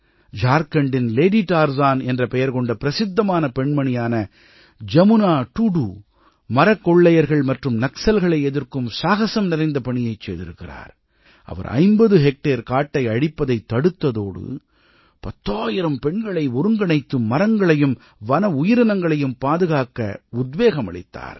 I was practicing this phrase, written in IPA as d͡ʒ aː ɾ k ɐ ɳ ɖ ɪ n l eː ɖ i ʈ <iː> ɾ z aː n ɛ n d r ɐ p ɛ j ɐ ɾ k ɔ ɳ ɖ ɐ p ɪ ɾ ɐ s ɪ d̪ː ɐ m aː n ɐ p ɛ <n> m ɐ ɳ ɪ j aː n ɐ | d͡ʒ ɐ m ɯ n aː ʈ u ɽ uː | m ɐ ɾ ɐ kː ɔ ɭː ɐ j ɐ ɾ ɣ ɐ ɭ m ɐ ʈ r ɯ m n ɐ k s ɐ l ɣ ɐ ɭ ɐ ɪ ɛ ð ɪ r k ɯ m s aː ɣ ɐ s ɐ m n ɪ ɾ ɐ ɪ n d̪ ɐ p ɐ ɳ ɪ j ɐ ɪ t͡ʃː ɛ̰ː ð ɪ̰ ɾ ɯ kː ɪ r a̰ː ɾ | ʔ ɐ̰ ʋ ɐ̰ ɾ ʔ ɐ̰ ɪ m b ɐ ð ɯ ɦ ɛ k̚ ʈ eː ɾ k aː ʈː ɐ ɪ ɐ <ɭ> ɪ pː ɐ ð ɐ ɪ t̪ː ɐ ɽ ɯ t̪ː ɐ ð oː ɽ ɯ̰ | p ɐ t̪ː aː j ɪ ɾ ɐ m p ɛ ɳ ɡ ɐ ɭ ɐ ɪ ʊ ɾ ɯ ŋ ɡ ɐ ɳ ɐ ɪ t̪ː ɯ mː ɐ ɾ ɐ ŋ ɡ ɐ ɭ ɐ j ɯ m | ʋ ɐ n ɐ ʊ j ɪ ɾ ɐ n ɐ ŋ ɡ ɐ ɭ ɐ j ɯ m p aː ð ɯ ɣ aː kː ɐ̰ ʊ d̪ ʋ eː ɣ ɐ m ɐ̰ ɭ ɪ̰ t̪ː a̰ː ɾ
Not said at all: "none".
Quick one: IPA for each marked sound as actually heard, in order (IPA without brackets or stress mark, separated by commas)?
aː, ɳ, ɽ